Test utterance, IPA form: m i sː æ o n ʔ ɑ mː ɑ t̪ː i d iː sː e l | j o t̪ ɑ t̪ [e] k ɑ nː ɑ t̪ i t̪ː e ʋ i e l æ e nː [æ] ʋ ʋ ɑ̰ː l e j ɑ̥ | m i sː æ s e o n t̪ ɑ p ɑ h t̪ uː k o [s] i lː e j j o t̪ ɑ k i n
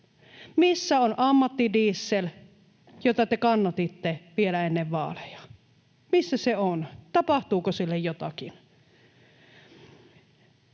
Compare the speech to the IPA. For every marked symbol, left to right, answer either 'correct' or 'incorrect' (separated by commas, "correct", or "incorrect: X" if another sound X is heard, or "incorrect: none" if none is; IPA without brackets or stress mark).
correct, incorrect: e, correct